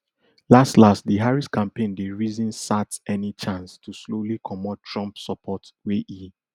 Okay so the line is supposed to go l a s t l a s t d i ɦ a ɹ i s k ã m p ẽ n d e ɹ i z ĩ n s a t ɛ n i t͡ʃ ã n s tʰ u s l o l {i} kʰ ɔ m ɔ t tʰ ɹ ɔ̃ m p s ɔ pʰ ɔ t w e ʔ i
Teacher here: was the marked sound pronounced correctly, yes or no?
yes